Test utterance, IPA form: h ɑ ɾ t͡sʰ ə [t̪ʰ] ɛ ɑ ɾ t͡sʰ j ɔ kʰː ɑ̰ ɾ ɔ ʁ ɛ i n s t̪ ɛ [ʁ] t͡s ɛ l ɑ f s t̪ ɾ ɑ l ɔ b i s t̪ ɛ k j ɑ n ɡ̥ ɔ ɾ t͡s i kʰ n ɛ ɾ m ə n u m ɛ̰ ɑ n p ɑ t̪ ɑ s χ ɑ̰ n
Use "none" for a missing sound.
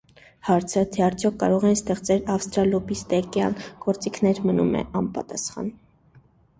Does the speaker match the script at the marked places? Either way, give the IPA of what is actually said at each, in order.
t̪ʰ, χ

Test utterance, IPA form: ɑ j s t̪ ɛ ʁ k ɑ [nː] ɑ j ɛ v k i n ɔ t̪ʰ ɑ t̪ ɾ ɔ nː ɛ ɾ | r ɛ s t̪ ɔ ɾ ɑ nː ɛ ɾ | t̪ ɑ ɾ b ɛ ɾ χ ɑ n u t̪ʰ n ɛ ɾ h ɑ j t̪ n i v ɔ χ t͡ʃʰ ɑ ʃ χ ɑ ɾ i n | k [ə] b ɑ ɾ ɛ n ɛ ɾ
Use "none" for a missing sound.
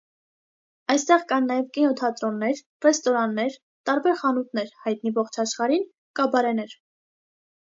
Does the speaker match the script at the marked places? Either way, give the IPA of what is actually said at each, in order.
nː, ɑ

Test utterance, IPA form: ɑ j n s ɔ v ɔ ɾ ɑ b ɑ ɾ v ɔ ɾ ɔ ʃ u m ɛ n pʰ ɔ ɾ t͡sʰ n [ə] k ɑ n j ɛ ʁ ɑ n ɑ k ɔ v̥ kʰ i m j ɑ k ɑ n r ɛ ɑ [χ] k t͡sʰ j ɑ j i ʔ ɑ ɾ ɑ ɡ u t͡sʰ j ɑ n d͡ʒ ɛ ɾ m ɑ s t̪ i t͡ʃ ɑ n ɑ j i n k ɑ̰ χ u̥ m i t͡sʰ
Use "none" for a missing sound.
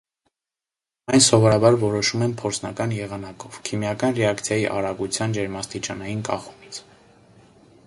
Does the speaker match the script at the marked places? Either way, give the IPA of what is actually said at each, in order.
ɑ, none

